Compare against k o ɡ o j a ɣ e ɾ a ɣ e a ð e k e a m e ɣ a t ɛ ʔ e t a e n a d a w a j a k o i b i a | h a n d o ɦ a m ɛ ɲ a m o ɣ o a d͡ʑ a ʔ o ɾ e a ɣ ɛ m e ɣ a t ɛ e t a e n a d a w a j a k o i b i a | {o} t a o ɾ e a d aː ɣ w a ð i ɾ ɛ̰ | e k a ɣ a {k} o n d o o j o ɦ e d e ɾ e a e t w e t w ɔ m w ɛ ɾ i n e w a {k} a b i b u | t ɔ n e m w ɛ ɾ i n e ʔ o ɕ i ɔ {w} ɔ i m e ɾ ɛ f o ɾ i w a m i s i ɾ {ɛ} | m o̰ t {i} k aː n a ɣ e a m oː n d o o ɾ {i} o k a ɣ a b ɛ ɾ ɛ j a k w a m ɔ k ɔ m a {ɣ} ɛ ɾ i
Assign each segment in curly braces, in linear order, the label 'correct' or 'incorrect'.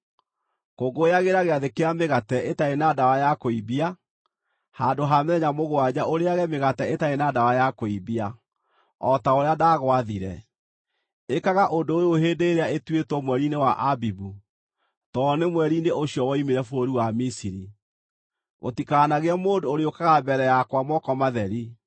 incorrect: ɔ, incorrect: ʔ, incorrect: ʔ, correct, incorrect: i, correct, incorrect: e, incorrect: ð

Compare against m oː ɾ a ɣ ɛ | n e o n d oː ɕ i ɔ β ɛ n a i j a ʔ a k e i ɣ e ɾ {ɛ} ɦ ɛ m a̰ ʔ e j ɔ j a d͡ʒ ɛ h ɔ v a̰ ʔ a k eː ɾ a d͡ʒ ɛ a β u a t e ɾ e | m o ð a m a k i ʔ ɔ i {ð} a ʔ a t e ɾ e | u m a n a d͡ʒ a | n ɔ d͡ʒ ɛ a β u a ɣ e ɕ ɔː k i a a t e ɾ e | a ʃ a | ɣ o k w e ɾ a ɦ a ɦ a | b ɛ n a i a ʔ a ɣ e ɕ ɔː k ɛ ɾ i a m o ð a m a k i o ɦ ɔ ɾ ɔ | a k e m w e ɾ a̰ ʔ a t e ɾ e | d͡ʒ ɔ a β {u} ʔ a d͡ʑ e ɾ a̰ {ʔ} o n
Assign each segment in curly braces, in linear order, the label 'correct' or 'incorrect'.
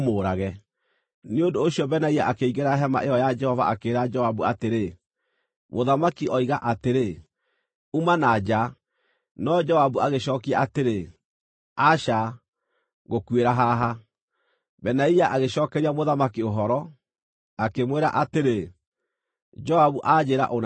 incorrect: a, incorrect: ɣ, correct, correct

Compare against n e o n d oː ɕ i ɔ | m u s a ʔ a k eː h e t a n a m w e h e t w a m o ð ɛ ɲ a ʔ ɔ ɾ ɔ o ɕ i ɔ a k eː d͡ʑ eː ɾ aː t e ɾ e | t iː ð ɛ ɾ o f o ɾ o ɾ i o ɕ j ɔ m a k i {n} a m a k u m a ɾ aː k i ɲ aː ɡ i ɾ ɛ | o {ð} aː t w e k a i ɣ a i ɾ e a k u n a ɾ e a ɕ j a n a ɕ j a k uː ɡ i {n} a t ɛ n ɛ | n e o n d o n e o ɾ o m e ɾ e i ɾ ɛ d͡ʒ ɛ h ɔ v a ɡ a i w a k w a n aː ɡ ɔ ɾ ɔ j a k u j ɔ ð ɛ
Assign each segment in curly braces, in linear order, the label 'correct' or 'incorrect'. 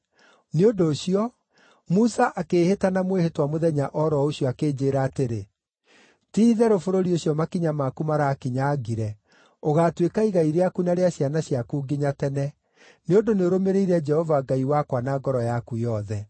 incorrect: ɲ, incorrect: ɣ, incorrect: ɲ

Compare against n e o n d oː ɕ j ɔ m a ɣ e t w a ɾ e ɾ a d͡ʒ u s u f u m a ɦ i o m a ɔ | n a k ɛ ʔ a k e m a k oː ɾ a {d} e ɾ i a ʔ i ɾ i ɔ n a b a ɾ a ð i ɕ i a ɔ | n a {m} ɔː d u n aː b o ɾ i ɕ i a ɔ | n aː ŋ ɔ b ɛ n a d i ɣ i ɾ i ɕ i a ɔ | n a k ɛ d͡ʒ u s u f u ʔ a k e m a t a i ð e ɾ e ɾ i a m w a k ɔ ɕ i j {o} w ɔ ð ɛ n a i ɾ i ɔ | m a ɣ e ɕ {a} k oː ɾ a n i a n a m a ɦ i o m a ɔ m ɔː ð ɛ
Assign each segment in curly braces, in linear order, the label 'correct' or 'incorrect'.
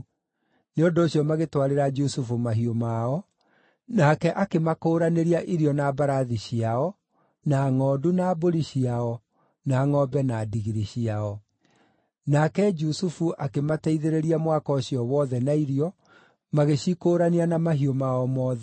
incorrect: n, incorrect: ŋ, incorrect: ɔ, incorrect: i

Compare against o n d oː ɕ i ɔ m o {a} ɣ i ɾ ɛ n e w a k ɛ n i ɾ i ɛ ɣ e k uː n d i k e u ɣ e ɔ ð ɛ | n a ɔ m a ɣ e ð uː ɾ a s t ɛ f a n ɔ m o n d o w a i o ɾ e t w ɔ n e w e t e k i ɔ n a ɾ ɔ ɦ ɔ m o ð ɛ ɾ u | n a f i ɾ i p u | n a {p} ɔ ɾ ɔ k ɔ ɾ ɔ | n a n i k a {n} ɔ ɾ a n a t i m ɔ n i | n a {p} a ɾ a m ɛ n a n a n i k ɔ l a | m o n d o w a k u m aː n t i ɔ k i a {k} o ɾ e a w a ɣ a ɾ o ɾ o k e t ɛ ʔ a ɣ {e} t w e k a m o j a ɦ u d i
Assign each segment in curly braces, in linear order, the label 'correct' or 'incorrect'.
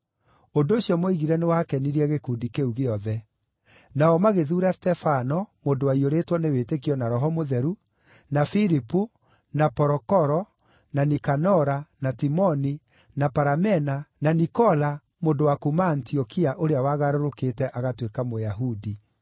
incorrect: i, correct, correct, correct, incorrect: ʔ, incorrect: a

